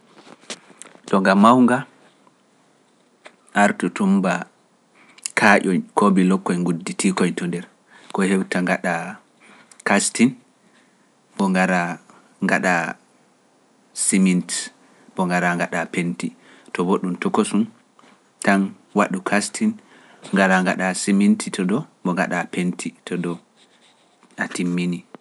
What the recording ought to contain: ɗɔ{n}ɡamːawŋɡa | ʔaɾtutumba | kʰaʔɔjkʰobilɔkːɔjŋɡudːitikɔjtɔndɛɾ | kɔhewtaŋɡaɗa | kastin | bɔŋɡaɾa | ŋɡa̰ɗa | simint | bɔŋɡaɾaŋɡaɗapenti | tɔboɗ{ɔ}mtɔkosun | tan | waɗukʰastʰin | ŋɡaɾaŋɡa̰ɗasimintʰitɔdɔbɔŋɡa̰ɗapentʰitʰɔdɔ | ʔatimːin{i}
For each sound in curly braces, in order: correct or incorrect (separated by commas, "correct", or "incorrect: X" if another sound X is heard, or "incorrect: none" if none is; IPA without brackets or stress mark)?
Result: incorrect: ŋ, incorrect: u, correct